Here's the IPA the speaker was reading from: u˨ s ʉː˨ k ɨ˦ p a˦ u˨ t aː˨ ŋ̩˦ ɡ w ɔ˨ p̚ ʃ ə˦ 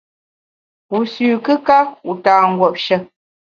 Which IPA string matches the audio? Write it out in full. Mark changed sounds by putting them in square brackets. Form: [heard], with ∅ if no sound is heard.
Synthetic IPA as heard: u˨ s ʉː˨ k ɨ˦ [k] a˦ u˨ t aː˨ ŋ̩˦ ɡ w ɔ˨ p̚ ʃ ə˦